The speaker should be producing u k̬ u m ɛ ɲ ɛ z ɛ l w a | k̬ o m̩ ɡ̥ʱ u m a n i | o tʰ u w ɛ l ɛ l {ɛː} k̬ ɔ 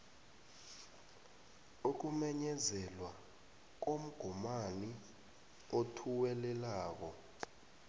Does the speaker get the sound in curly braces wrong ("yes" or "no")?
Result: yes